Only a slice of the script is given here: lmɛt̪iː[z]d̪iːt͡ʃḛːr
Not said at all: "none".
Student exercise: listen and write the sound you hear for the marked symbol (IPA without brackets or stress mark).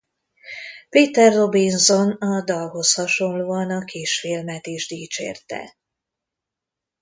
ʒ